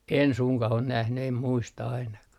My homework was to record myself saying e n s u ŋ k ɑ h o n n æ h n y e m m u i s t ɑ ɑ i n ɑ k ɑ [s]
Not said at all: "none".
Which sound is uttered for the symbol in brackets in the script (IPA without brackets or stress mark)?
h